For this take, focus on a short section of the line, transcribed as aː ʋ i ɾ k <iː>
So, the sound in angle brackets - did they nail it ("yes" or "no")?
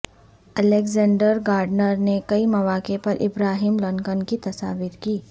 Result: yes